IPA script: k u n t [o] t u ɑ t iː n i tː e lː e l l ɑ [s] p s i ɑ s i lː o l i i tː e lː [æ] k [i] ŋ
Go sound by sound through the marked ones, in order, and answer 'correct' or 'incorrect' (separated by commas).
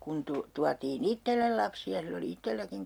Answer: incorrect, incorrect, correct, correct